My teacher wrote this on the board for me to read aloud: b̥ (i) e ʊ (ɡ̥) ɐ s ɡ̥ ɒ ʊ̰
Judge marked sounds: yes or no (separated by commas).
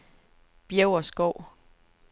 no, no